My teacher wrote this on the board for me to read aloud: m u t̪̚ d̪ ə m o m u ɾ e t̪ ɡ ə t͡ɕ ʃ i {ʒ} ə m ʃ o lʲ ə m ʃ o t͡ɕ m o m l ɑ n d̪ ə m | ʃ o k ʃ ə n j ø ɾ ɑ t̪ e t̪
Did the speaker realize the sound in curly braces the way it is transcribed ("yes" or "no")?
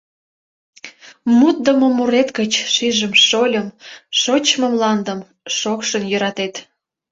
yes